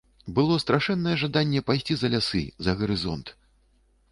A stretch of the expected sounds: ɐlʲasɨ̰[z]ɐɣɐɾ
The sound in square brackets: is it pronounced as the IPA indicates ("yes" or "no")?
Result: yes